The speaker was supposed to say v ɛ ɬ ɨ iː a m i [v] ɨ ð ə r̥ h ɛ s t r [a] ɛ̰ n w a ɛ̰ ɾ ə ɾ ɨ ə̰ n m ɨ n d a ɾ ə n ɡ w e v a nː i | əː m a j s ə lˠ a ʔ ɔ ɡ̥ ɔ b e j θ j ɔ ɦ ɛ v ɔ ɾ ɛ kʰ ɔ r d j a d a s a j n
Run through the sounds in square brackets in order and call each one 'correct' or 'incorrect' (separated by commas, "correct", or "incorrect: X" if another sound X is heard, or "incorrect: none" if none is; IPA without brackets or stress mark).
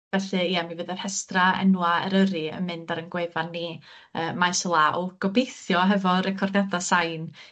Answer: correct, correct